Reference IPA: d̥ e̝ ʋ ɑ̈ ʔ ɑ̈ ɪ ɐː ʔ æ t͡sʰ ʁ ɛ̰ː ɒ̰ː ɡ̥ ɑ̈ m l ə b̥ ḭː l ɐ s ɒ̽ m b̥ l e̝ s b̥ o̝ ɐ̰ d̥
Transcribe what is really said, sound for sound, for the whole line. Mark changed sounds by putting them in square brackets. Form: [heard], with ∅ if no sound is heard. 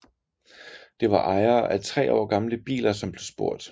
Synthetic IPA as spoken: d̥ e̝ ʋ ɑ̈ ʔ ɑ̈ ɪ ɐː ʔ æ t͡sʰ ʁ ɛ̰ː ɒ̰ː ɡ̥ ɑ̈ m l ə b̥ ḭː l ɐ s ɒ̽ m b̥ l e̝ s b̥ o̝ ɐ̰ d̥